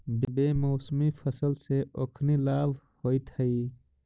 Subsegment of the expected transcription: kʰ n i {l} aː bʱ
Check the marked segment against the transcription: correct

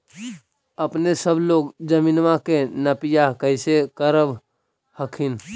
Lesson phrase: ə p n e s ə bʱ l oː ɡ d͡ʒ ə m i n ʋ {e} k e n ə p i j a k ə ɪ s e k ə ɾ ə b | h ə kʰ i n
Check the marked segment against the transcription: incorrect: a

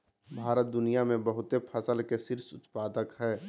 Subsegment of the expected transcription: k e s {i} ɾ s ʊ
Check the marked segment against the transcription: incorrect: ɪ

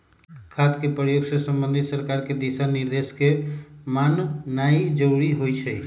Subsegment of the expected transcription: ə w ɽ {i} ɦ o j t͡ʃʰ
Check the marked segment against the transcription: correct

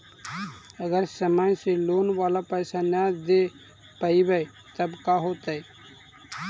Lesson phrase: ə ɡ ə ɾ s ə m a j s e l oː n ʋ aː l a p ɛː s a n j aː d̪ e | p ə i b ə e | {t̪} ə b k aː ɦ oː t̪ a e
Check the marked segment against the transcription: correct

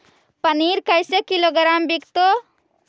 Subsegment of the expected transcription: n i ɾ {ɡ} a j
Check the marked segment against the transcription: incorrect: k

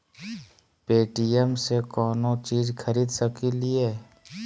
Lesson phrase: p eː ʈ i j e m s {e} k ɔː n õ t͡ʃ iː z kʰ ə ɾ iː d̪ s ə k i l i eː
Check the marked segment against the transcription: correct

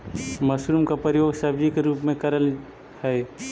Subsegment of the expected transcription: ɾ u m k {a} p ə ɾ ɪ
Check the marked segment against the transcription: correct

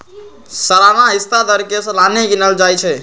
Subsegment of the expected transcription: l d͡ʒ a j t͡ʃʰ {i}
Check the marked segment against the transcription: incorrect: ɛ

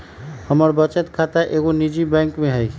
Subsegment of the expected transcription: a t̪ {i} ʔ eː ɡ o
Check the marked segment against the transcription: incorrect: a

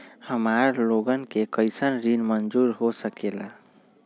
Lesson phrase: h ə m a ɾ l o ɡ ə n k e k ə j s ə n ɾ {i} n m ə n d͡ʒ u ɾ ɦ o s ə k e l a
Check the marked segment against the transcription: correct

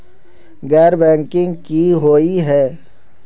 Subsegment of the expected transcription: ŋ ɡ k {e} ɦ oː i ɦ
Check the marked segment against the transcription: incorrect: i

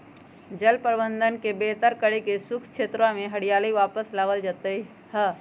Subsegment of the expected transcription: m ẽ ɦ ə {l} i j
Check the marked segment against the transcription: incorrect: ɽ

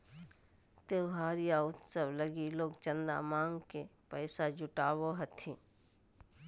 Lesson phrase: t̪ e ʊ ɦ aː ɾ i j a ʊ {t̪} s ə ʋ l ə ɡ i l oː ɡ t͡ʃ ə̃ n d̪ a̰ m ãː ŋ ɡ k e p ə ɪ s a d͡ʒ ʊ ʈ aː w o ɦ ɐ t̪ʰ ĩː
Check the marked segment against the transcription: correct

